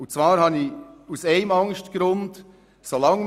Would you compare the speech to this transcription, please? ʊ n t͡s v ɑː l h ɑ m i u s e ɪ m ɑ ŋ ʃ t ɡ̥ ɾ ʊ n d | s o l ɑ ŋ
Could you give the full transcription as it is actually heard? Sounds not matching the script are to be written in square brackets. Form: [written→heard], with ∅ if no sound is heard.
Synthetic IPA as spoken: ʊ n t͡s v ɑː [l→ɾ] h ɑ [m→n] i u s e ɪ m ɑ ŋ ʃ t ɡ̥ ɾ ʊ n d | s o l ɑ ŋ